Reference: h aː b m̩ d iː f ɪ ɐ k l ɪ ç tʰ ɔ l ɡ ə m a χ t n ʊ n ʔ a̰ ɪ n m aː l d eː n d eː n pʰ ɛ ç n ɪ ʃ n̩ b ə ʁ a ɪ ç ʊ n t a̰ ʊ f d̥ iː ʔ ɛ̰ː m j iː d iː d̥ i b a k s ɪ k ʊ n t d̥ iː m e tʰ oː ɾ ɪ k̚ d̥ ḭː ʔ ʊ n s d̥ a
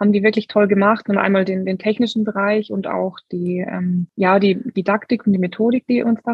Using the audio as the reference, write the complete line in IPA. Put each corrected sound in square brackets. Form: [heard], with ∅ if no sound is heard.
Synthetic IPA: h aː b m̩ d iː [v] ɪ ɐ k l ɪ ç tʰ ɔ l ɡ ə m a χ t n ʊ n ʔ a̰ ɪ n m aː l d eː n d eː n [tʰ] ɛ ç n ɪ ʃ n̩ b ə ʁ a ɪ ç ʊ n t a̰ ʊ [x] d̥ iː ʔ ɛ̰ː m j [aː] d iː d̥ i [d] a k [t] ɪ k ʊ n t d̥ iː m e tʰ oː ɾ ɪ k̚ d̥ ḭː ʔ ʊ n s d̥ a